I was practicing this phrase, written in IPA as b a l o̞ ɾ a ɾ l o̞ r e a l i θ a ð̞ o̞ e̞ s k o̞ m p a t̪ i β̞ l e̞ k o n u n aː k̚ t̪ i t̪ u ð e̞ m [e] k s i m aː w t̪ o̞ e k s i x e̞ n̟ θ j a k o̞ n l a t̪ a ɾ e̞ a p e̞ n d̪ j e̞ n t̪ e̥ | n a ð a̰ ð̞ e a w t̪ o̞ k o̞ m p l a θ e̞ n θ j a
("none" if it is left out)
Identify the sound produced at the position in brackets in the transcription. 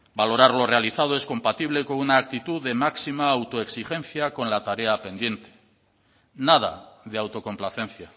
a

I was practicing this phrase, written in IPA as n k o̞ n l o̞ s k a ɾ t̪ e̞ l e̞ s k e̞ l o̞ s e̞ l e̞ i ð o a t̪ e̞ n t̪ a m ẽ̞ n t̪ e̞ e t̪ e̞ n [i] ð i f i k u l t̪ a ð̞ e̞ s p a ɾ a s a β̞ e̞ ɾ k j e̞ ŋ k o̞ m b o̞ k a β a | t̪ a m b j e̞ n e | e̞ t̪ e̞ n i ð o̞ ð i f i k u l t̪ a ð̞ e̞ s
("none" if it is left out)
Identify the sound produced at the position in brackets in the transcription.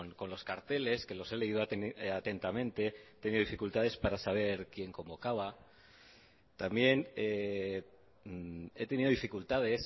i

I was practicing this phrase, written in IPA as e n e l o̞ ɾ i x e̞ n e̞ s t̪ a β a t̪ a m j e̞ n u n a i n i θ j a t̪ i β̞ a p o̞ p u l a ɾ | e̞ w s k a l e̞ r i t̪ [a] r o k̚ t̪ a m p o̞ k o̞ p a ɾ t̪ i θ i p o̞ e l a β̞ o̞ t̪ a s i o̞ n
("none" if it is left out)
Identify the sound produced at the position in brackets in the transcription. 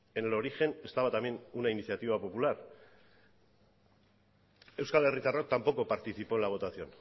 a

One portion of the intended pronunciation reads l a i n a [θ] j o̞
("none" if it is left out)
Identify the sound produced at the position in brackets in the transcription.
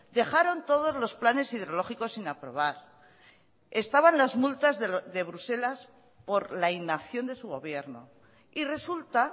θ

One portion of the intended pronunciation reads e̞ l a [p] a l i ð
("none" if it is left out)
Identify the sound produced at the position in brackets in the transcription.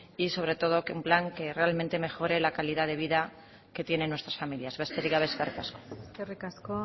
k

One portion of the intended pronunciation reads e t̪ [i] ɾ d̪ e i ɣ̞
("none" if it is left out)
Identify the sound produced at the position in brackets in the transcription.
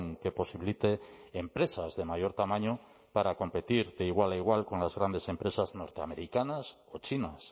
i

